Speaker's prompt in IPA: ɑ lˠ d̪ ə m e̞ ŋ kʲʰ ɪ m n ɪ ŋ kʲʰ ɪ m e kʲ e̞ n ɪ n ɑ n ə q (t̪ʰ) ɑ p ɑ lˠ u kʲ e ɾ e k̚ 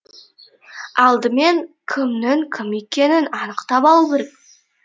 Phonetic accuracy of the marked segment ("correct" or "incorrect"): incorrect